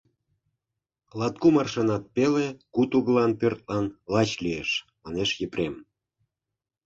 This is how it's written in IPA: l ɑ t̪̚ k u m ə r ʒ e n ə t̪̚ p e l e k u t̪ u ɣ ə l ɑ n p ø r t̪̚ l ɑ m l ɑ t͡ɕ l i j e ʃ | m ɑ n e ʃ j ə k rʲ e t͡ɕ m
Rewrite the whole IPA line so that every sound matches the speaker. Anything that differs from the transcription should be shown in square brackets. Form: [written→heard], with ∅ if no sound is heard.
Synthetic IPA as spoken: l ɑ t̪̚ k u m [ə→ɑ] r [ʒ→ʃ] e n [ə→ɑ] t̪̚ p e l e k u t̪ u ɣ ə l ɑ n p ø r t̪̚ l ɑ [m→n] l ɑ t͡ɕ l i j e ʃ | m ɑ n e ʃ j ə [k→p] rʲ e [t͡ɕ→∅] m